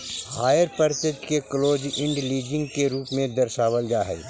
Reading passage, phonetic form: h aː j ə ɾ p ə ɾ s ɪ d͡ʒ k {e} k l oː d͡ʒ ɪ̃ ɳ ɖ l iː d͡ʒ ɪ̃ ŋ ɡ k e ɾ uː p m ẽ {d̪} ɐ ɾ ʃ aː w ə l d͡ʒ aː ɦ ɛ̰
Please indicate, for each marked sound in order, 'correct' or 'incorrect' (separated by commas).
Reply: correct, correct